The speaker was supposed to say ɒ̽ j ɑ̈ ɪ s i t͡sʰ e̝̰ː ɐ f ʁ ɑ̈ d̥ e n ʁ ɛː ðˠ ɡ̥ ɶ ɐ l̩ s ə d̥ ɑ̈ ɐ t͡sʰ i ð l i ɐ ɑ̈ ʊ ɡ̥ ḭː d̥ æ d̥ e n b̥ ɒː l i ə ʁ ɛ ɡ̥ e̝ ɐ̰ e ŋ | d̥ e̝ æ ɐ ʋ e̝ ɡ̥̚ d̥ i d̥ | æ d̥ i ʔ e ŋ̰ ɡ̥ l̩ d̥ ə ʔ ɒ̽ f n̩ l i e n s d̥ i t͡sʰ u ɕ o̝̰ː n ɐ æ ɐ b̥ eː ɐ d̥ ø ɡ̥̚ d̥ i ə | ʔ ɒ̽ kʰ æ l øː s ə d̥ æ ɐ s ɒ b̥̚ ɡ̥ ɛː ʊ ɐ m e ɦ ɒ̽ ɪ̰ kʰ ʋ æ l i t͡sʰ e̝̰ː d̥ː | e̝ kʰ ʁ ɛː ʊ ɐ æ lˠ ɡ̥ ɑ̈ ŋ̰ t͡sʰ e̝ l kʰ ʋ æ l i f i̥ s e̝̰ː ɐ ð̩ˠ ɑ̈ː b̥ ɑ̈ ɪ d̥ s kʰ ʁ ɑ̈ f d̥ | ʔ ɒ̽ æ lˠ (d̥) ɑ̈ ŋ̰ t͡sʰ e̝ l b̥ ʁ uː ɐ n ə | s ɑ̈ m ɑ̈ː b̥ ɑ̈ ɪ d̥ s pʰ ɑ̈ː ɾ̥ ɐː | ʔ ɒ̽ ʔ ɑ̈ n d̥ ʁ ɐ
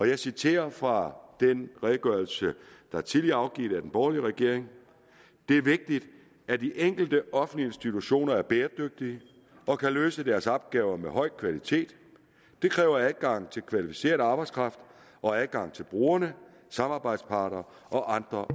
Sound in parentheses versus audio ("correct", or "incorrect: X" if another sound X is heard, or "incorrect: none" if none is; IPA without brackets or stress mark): incorrect: ɡ̥